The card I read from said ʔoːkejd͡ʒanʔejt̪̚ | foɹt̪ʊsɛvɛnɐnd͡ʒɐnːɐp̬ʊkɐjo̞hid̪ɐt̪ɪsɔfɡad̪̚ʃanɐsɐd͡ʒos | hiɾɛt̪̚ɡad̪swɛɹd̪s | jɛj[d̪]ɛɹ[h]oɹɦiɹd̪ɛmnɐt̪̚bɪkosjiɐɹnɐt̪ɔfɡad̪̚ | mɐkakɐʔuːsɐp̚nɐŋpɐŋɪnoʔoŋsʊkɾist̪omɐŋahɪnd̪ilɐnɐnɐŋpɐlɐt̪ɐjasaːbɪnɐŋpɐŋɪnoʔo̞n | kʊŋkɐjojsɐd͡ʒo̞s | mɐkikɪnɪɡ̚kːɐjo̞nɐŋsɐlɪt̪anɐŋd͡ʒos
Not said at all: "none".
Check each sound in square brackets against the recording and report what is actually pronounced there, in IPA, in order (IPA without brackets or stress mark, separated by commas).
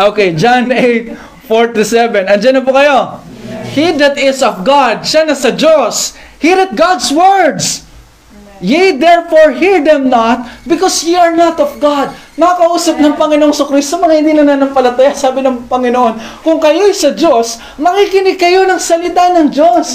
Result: d̪, f